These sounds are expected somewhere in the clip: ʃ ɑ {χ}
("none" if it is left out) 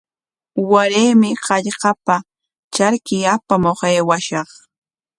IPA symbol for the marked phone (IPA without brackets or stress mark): χ